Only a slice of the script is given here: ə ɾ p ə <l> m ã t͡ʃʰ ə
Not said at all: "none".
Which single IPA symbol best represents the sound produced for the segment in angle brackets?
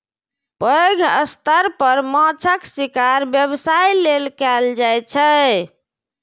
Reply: ɾ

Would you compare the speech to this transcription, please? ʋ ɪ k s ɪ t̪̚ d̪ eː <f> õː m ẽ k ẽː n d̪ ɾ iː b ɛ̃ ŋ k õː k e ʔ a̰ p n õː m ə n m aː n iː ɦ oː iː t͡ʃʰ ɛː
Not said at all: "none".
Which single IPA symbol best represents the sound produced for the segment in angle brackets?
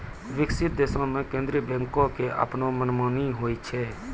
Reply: s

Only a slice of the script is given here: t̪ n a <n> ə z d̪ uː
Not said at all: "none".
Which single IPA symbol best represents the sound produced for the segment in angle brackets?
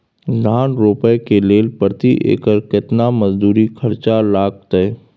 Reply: m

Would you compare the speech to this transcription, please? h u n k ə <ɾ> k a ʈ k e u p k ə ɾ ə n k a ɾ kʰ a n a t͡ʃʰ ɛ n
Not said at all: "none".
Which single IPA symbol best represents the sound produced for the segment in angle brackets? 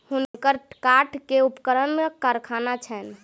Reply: ɾ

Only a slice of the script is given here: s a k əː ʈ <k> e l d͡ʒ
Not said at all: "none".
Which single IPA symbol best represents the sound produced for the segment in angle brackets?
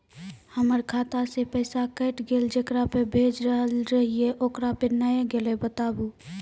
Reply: ɡ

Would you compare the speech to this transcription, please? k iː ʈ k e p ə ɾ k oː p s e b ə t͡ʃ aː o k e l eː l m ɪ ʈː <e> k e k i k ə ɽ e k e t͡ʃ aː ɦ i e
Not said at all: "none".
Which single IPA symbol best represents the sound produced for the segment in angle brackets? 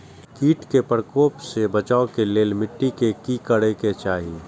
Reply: i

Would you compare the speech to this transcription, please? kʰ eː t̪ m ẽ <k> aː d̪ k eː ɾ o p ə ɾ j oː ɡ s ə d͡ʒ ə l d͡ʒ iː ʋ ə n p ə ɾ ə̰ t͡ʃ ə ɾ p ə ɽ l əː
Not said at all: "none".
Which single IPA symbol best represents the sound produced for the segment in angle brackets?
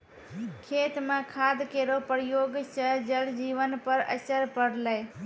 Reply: kʰ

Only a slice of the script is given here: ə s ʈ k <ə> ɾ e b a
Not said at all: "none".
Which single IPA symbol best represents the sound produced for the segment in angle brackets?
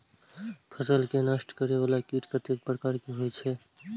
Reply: ə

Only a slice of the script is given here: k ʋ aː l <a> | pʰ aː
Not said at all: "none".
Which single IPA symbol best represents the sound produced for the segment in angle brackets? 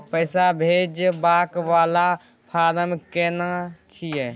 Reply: a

